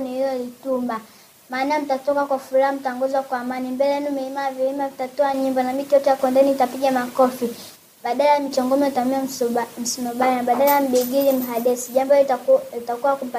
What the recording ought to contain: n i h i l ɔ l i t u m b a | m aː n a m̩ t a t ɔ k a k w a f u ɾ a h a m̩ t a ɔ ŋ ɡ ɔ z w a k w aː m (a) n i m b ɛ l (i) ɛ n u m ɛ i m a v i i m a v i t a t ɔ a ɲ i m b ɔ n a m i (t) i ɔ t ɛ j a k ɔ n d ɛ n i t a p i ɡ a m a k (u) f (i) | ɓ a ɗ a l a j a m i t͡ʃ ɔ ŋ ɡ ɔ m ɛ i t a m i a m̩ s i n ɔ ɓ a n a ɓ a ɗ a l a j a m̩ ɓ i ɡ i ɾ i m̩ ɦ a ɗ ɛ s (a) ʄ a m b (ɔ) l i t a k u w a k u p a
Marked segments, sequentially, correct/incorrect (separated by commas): correct, incorrect, correct, incorrect, correct, incorrect, correct